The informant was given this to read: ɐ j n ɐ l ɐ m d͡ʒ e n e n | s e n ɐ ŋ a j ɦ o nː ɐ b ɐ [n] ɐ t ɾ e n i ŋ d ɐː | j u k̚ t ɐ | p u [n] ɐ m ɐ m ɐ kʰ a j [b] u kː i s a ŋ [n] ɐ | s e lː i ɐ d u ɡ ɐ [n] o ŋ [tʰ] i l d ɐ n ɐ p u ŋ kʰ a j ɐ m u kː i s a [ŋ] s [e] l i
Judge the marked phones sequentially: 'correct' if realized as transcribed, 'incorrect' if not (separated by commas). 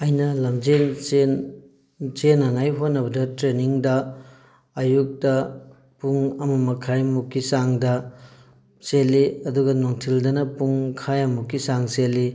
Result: incorrect, incorrect, incorrect, incorrect, correct, correct, correct, correct